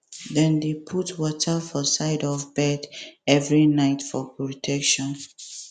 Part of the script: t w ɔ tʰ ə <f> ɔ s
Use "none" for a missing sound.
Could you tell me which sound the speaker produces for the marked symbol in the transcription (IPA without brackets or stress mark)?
f